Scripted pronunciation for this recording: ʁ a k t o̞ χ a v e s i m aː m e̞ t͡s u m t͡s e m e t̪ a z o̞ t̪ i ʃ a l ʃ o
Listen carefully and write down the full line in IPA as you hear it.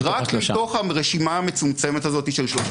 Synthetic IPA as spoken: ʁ a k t o̞ χ a ʁ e ʃ i m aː m e̞ t͡s u m t͡s e m e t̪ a z o̞ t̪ i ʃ e l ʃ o